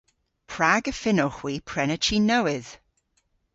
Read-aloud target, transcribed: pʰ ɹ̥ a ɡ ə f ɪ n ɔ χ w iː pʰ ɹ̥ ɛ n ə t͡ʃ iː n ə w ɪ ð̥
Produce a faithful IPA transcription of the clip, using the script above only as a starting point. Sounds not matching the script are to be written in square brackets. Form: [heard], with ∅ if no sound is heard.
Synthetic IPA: pʰ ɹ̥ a ɡ ə f ɪ n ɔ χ w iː pʰ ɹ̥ ɛ n ə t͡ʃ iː n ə w ɪ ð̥